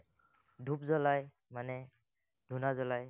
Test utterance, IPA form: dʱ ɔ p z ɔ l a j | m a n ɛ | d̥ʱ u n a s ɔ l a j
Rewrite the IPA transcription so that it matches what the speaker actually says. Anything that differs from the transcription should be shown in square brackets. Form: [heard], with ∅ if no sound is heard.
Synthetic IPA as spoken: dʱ [u] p z ɔ l a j | m a n ɛ | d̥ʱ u n a [z] ɔ l a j

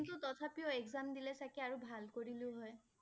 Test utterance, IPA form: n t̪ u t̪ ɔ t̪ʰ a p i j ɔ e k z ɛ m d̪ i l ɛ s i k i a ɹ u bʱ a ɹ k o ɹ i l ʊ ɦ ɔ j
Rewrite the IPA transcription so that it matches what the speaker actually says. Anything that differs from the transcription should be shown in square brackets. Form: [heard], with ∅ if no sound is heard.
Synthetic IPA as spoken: n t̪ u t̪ ɔ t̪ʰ a p i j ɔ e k z [a] m d̪ i l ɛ s [a] k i a ɹ u bʱ a [l] k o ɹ i l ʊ ɦ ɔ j

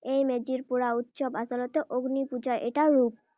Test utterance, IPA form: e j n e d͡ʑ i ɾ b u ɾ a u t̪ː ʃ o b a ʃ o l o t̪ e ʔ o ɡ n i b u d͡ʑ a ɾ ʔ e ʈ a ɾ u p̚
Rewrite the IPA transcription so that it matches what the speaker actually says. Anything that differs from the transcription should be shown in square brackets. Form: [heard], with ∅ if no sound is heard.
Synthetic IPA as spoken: e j [m] e d͡ʑ i ɾ [p] u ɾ a u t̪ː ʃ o b a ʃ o l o t̪ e ʔ o ɡ n i [p] u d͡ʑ a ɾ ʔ e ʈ a ɾ u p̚

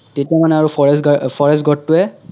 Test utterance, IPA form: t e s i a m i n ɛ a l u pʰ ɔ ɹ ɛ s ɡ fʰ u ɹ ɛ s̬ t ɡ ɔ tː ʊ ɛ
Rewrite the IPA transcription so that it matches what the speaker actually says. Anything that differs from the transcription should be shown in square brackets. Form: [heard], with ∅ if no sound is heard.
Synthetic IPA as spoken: t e [t] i a m [a] n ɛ a [ɹ] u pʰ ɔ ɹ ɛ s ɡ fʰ [ɔ] ɹ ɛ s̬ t ɡ ɔ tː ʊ ɛ

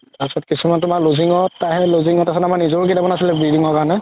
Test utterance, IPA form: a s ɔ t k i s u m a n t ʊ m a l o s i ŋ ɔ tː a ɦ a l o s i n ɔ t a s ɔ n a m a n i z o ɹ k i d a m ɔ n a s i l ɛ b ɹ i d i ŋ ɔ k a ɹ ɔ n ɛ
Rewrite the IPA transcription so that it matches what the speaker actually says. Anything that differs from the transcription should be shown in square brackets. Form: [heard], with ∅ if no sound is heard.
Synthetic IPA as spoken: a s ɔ t k i s u m a n t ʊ m a l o [z] i ŋ ɔ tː a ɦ [ɛ] l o [z] i [ŋ] ɔ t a s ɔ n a m a n i z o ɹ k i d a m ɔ n a s i l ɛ b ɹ i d i ŋ ɔ k a ɹ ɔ n ɛ

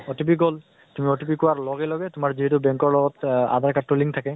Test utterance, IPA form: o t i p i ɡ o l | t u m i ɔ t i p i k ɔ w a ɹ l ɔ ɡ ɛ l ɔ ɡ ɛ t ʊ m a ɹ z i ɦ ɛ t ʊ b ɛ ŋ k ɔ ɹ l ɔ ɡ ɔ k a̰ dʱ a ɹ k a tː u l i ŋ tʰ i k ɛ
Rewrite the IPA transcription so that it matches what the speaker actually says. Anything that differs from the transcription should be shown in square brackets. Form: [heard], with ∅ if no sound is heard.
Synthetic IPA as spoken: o t i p i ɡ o l | t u m i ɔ t i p i k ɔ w a ɹ l ɔ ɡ ɛ l ɔ ɡ ɛ t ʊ m a ɹ z i ɦ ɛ t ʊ b ɛ ŋ k ɔ ɹ l ɔ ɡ ɔ [t] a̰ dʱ a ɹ k a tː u l i ŋ tʰ [a] k ɛ

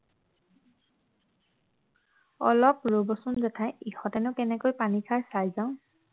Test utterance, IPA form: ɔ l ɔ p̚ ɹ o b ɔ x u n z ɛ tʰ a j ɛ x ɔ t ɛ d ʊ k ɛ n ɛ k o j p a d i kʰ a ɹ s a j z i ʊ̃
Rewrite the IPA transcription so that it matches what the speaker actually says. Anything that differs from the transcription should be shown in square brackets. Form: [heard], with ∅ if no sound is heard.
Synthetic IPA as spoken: ɔ l ɔ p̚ ɹ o b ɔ [s] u n z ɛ tʰ a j [i] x ɔ t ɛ [n] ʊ k ɛ n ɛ k o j p a [n] i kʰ a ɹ s a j z [a] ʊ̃

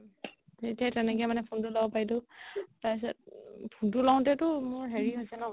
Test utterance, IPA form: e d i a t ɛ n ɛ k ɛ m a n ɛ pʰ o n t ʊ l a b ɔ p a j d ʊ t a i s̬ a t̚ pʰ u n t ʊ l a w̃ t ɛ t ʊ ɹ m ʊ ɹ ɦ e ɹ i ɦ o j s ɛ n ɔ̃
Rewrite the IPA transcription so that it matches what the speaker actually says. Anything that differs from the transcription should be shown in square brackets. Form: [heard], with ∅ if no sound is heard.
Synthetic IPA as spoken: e [t] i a t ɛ n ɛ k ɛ m a n ɛ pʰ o n t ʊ l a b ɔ p a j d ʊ t a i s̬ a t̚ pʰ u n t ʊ l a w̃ t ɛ t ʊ [∅] m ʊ ɹ ɦ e ɹ i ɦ o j s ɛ n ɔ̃

